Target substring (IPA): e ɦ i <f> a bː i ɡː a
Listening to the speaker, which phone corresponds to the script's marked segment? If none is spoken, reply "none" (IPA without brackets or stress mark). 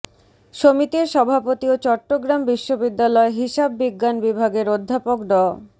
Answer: ʃ